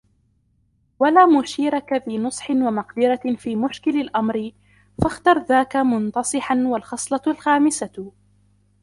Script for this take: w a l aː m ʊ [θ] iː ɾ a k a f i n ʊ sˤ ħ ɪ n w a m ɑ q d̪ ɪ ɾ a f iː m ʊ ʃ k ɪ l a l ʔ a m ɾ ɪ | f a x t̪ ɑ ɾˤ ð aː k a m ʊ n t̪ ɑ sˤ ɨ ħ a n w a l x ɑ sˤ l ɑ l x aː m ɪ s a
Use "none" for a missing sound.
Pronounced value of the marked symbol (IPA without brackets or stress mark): ʃ